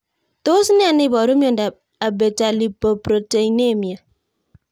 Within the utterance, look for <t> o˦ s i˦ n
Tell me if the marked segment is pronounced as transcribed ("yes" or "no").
yes